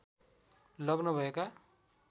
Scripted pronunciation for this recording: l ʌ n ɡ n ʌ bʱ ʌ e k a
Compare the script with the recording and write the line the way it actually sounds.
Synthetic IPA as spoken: l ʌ ɡ n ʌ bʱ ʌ e k a